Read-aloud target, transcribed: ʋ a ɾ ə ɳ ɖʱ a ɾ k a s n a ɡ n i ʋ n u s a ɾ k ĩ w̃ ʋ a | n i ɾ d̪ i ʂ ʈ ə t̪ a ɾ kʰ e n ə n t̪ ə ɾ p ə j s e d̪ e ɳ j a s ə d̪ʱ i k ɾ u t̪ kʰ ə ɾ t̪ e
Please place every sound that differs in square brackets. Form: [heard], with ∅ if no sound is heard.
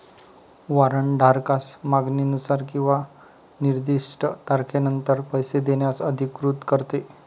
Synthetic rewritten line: ʋ a ɾ ə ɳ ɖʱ a ɾ k a s [m] a ɡ n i [∅] n u s a ɾ k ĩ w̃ ʋ a | n i ɾ d̪ i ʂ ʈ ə t̪ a ɾ kʰ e n ə n t̪ ə ɾ p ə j s e d̪ e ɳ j a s ə d̪ʱ i k ɾ u t̪ [k] ə ɾ t̪ e